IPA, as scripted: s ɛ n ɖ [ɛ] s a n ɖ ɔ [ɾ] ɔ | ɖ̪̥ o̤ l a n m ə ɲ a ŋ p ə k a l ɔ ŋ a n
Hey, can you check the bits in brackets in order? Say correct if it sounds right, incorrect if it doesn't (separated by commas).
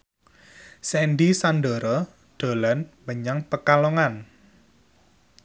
incorrect, correct